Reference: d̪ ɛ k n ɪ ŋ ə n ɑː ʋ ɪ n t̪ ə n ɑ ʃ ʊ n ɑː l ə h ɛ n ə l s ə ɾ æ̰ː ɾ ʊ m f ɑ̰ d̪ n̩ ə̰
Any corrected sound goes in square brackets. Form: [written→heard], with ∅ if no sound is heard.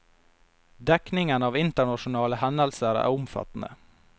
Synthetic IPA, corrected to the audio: d̪ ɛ k n ɪ ŋ ə n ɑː ʋ ɪ n t̪ ə [n→ɳ] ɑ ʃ ʊ n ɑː l ə h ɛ n ə l s ə ɾ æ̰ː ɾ ʊ m f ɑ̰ [d̪→t̪] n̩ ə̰